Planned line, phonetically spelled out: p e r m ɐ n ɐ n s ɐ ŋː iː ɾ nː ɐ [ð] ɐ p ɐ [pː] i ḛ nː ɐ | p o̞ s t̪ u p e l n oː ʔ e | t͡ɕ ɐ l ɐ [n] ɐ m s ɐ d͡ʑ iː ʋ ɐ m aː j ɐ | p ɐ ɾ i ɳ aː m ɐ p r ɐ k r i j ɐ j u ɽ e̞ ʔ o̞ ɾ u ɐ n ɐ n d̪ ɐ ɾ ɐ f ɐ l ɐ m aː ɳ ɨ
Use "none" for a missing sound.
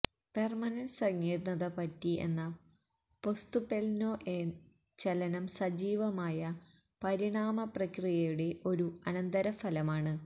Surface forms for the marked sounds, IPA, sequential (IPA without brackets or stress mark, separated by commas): ð, tː, n